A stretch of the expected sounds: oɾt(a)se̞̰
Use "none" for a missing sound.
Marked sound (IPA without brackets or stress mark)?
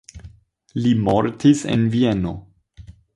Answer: i